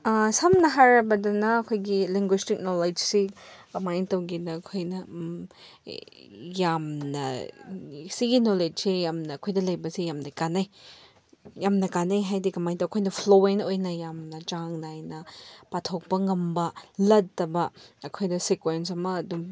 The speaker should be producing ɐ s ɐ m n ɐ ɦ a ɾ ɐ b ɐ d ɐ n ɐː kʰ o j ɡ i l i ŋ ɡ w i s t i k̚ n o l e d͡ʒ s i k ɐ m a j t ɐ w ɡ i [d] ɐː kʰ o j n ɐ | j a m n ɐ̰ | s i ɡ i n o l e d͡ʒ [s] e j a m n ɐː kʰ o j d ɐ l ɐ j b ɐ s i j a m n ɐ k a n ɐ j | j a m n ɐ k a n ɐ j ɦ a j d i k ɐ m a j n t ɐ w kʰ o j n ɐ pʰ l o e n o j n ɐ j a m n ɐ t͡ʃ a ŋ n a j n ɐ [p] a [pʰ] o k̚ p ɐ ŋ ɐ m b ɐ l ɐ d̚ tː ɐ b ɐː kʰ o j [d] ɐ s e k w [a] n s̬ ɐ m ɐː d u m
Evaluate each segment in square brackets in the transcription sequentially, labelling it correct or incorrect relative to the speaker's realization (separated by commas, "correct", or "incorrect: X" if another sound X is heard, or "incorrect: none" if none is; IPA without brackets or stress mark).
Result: incorrect: n, correct, correct, incorrect: tʰ, correct, incorrect: e